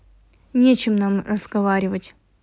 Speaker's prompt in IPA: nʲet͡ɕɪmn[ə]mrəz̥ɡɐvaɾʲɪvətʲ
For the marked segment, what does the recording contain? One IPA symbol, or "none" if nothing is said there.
a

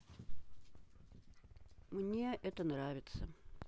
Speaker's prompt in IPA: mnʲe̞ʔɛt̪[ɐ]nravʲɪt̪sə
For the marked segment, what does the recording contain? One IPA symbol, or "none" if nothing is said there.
ə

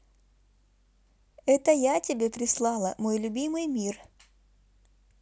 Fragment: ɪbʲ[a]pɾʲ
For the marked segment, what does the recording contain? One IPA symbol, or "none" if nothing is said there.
e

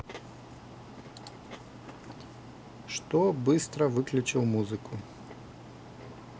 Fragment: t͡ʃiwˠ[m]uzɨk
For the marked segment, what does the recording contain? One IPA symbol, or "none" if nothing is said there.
m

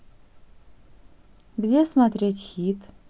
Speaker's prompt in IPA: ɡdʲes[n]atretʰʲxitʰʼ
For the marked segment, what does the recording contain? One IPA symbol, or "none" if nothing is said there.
m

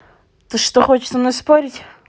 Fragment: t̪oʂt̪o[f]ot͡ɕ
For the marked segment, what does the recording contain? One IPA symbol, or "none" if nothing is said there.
x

